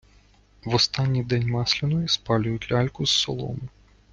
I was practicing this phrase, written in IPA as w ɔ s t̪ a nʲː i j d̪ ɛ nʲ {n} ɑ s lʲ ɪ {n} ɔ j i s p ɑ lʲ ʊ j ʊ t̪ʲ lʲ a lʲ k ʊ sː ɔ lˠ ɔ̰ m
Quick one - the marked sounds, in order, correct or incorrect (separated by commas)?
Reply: incorrect, correct